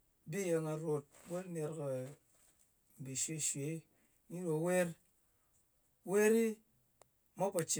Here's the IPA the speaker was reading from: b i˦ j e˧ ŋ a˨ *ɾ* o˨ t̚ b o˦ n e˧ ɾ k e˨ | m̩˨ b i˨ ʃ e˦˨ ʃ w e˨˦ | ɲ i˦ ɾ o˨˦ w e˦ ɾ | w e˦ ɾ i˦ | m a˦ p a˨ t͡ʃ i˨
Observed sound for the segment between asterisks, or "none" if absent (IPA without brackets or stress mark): ɾ